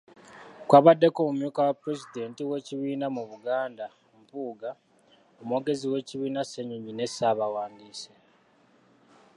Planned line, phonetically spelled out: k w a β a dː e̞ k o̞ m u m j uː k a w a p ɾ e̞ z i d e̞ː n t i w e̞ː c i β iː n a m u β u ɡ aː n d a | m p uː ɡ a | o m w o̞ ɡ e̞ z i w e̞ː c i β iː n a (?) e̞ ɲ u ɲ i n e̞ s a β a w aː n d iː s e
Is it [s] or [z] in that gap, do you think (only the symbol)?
s